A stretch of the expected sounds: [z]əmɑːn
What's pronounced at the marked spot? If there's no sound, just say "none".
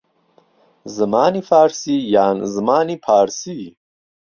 z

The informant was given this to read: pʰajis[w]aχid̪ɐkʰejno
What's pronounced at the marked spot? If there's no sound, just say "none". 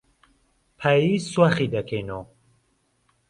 w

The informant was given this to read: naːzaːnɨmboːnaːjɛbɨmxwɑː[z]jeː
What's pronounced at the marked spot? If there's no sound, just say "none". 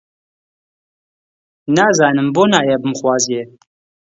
z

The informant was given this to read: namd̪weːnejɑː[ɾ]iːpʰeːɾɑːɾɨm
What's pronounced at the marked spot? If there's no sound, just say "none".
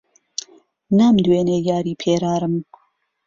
ɾ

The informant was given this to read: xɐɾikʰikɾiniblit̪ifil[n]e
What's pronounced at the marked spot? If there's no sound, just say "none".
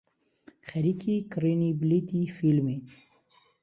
m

